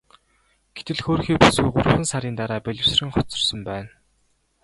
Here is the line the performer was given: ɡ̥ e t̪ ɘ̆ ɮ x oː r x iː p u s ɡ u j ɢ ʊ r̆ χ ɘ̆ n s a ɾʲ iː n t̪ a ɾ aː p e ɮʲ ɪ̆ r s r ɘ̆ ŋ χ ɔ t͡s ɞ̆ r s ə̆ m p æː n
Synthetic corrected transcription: ɡ̥ e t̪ ɘ̆ ɮ x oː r x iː p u s ɡ u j ɢ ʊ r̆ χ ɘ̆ n s a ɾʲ iː n t̪ a ɾ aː p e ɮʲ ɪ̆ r s r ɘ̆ ŋ χ ɔ t͡s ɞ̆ r s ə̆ m p æː n